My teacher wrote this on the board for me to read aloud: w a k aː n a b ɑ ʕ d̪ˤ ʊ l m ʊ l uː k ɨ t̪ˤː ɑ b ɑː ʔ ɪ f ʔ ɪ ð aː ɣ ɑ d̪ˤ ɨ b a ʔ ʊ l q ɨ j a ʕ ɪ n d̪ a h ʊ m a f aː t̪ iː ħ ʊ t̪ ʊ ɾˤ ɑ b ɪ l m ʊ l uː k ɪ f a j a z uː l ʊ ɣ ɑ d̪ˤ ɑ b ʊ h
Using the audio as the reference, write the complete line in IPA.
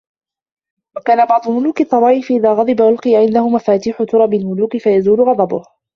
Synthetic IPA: w a k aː n a b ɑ ʕ d̪ˤ ʊ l m ʊ l uː k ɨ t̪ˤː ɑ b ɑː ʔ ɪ f ʔ ɪ ð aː ɣ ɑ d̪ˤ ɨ b a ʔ ʊ l q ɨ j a ʕ ɪ n d̪ a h ʊ m a f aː t̪ iː ħ ʊ t̪ ʊ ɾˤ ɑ b ɪ l m ʊ l uː k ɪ f a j a z uː l ʊ ɣ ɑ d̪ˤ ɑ b ʊ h